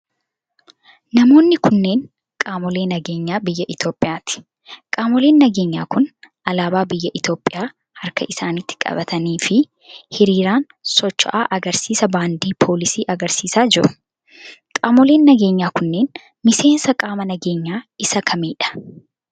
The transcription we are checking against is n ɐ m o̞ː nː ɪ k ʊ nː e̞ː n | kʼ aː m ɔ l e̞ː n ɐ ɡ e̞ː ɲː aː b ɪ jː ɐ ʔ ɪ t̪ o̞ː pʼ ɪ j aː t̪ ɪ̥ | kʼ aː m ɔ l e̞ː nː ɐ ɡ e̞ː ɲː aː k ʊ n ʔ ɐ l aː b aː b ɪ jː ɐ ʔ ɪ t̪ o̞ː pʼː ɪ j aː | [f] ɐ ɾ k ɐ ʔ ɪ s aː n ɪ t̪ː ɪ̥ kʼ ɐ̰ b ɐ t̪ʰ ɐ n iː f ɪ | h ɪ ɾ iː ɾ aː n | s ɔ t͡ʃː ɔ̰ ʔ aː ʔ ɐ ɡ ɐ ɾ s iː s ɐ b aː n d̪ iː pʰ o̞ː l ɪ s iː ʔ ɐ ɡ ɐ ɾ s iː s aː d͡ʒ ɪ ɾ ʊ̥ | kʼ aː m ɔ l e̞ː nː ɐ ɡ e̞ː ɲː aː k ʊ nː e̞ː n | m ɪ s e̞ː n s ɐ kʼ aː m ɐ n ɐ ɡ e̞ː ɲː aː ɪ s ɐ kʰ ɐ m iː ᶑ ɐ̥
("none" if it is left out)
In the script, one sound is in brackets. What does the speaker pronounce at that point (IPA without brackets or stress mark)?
h